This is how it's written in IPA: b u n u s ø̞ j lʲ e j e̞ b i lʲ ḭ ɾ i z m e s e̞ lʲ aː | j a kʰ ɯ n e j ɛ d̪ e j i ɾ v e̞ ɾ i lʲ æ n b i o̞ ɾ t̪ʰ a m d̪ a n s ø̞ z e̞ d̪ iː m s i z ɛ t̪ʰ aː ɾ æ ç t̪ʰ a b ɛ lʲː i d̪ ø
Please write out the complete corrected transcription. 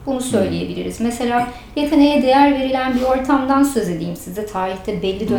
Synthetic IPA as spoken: b u n u s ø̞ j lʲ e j e̞ b i lʲ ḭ ɾ i z m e s e̞ lʲ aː | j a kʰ ɯ n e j ɛ d̪ e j æ ɾ v e̞ ɾ i lʲ æ n b i o̞ ɾ t̪ʰ a m d̪ a n s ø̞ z e̞ d̪ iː m s i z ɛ t̪ʰ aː ɾ i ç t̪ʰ ɛ b ɛ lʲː i d̪ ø